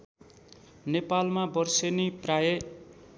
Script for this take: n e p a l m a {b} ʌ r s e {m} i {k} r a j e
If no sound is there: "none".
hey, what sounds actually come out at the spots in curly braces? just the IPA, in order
b, n, p

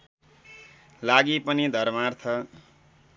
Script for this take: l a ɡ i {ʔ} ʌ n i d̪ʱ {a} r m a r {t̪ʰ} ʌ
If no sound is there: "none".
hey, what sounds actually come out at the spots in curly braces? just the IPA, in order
p, ʌ, t̪ʰ

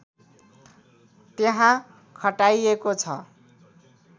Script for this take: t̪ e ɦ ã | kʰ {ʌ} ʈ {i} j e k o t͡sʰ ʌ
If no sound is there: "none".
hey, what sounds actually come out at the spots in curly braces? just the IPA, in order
ʌ, a

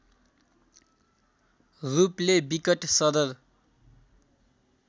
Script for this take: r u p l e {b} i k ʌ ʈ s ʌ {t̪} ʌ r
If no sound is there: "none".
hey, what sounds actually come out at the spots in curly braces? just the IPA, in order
b, d̪

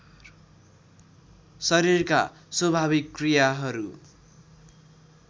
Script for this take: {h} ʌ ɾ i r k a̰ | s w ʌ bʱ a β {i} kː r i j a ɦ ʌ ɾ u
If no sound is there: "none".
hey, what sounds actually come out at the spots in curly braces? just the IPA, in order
s, i

